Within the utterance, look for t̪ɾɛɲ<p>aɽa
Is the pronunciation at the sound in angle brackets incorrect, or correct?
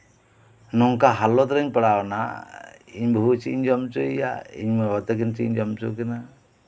correct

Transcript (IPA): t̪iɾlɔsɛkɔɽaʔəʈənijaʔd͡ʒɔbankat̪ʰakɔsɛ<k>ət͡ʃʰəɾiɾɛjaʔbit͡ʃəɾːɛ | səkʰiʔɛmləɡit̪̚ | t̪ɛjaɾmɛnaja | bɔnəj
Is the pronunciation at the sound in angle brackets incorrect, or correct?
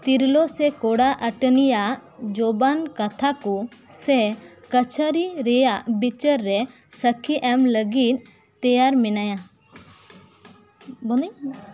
correct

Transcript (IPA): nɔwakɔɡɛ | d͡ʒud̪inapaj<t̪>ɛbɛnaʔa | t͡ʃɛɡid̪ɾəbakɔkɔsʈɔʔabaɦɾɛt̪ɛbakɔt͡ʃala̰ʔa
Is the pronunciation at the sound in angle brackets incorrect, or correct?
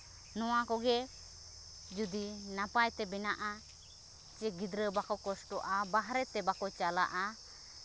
correct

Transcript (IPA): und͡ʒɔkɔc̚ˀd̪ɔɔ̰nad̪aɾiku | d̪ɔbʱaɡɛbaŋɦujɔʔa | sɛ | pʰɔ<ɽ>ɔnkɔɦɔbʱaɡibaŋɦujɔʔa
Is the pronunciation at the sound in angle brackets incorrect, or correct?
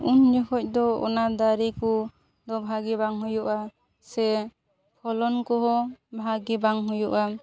incorrect: l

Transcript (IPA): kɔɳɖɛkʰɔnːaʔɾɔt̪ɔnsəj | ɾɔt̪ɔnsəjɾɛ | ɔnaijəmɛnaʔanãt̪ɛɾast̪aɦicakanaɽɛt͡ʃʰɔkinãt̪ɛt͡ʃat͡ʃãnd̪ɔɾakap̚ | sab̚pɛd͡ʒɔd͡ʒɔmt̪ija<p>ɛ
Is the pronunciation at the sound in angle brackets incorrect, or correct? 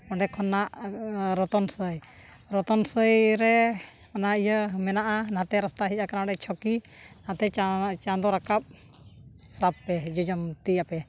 correct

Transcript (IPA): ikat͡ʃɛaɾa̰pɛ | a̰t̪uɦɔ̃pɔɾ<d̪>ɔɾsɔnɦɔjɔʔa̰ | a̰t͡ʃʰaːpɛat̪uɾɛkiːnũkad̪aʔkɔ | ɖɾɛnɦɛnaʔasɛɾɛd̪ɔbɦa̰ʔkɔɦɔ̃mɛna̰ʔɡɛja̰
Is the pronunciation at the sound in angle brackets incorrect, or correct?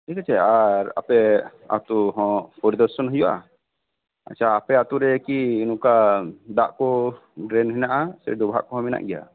correct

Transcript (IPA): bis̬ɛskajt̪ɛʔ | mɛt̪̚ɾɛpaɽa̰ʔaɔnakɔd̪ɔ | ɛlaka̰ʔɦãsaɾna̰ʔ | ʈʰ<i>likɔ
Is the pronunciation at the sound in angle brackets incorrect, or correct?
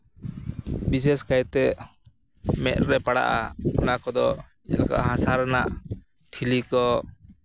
correct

